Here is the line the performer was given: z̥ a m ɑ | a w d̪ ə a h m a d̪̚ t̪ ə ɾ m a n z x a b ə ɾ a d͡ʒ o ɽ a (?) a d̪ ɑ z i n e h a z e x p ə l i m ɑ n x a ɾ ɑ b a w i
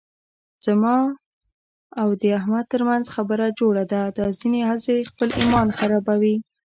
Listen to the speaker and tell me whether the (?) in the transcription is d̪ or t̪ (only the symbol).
d̪